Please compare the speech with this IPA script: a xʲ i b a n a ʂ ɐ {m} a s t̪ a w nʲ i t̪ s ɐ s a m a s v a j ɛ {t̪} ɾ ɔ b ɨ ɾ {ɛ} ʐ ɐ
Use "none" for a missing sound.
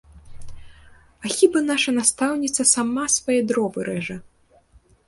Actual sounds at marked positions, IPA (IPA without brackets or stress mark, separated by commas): n, d̪, ɛ